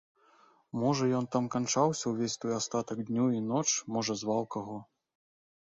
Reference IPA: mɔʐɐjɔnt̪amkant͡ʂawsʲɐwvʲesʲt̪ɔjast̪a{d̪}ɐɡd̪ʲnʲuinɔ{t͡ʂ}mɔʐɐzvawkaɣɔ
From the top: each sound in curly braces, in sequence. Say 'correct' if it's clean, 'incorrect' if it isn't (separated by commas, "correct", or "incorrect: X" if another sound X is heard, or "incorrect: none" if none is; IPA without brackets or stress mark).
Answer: incorrect: t̪, correct